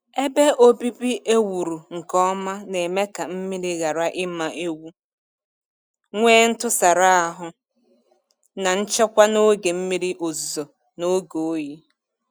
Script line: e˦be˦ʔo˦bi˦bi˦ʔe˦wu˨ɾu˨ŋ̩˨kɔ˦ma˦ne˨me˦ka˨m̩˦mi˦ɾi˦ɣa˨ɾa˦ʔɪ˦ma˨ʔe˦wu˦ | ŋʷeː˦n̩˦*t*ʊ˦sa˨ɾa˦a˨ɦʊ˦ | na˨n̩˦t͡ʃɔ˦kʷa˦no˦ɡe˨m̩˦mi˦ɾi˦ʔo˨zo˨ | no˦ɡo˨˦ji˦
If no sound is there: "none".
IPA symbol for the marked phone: t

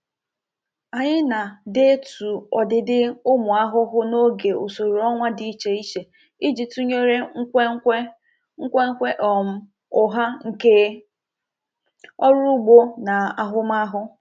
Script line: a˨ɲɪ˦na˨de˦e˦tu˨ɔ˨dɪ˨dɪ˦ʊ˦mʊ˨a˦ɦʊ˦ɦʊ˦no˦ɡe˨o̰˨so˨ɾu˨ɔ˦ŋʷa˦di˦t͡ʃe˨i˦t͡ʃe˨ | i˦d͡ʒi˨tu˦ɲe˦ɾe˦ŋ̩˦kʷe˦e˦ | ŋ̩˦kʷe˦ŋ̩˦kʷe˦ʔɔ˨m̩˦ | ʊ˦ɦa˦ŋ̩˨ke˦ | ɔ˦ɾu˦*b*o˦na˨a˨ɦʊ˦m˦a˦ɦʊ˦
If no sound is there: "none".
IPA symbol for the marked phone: ɡ͡b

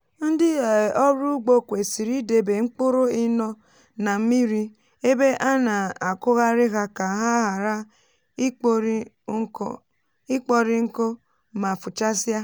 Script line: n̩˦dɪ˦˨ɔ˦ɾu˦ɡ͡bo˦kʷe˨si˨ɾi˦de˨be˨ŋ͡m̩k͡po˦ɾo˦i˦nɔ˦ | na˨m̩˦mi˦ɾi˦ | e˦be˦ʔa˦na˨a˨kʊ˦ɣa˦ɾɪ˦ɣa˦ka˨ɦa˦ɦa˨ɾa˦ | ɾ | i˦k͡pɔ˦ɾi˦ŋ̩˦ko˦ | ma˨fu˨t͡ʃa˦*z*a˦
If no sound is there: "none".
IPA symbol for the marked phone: s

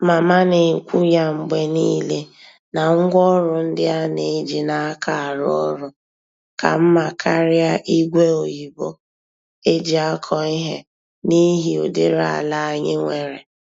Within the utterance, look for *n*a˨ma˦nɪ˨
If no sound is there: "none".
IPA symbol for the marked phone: m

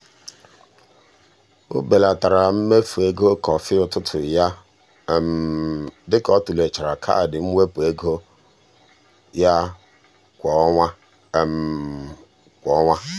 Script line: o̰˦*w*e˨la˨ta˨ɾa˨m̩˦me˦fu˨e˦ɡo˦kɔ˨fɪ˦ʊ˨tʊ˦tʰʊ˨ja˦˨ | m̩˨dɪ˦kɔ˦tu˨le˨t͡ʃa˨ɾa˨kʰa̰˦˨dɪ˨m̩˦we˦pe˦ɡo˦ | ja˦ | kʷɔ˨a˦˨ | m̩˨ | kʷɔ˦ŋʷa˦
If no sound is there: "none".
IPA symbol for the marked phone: b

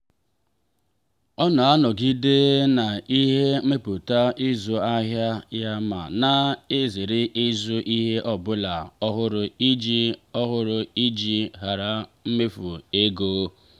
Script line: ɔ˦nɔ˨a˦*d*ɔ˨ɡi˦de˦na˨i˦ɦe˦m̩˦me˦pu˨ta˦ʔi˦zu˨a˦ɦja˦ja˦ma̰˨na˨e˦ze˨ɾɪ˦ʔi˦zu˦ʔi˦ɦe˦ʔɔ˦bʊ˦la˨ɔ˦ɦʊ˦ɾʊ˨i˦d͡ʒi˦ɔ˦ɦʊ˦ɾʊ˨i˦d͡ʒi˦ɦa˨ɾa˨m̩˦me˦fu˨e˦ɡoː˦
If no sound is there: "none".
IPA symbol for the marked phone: n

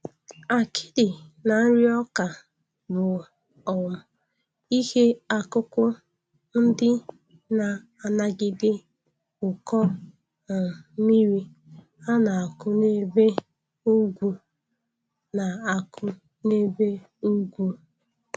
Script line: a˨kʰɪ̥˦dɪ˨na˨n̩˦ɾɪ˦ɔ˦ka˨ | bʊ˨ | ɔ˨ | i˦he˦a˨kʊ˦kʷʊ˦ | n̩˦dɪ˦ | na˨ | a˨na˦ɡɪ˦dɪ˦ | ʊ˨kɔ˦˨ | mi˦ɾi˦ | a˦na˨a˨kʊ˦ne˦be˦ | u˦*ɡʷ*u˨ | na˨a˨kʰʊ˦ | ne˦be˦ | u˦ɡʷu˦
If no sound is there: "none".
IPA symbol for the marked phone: ɡʷ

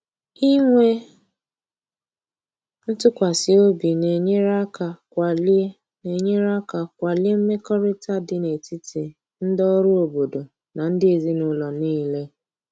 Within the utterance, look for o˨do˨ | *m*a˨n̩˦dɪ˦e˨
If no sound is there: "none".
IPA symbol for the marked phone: n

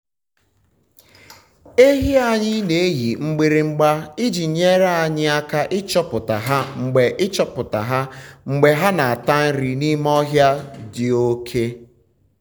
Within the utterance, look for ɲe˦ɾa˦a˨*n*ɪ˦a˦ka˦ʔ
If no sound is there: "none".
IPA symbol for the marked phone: ɲ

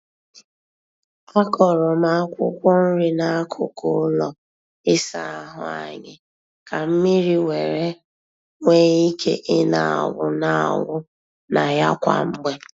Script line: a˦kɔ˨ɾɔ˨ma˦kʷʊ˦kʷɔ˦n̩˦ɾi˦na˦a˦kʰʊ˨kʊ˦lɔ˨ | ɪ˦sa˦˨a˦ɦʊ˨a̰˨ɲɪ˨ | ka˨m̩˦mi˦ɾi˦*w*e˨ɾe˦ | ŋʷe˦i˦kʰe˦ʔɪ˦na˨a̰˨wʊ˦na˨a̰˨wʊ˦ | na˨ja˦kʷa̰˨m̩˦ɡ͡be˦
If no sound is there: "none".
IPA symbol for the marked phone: w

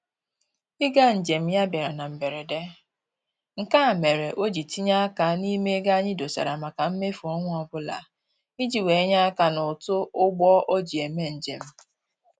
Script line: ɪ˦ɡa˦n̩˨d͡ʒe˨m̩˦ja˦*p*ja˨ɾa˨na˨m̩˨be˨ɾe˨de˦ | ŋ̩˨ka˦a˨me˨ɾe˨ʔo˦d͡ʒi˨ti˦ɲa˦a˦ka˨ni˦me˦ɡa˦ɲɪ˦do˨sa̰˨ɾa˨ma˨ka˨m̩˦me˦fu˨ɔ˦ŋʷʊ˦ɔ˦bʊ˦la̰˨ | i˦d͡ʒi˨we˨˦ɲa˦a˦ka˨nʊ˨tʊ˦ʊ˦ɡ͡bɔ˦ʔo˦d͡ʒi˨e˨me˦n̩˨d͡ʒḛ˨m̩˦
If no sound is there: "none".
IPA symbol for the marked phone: b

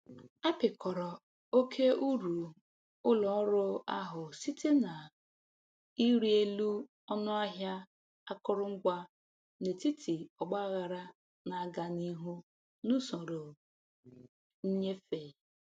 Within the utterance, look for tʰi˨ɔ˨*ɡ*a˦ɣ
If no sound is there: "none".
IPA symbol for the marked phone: ɡ͡b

